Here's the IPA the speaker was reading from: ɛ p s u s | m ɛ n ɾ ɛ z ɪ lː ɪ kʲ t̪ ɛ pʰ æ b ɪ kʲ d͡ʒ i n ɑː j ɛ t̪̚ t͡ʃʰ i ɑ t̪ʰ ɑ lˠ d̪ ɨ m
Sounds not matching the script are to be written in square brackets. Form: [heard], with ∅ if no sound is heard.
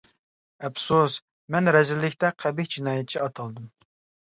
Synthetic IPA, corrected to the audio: ɛ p s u s | m ɛ n ɾ ɛ z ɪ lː ɪ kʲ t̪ ɛ [qʰ] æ b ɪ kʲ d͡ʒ i n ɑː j ɛ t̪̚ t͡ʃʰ i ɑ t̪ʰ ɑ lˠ d̪ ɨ m

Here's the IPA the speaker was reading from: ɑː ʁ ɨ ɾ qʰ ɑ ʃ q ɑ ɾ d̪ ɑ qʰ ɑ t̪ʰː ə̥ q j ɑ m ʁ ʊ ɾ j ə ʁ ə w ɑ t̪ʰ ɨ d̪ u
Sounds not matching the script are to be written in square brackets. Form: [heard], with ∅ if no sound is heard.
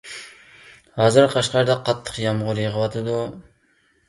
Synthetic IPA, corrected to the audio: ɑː [z] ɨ ɾ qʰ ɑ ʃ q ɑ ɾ d̪ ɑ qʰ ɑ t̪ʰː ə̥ q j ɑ m ʁ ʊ ɾ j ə ʁ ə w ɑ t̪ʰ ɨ d̪ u

